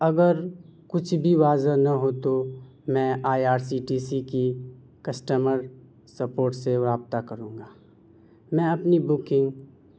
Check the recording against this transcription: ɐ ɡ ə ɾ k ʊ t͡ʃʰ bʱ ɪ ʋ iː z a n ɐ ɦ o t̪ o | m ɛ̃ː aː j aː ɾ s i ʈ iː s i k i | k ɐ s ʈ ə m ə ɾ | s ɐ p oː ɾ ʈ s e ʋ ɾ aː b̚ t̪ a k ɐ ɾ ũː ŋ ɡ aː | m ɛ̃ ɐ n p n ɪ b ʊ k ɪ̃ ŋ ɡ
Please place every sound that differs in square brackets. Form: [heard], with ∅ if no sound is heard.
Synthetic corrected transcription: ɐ ɡ ə ɾ k ʊ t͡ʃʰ bʱ [i] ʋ [aː] z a n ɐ ɦ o t̪ o | m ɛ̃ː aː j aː ɾ s i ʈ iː s i k i | k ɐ s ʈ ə m ə ɾ | s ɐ p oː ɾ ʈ s e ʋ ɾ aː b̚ t̪ a k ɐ ɾ ũː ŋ ɡ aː | m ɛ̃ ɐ [∅] p n [i] b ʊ k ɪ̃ ŋ ɡ